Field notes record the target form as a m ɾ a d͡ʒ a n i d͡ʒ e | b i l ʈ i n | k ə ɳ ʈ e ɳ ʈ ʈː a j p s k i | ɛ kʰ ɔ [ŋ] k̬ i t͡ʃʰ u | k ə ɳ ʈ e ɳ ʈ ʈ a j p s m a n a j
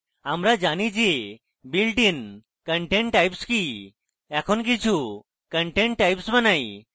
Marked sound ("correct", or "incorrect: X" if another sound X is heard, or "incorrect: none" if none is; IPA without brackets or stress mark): incorrect: n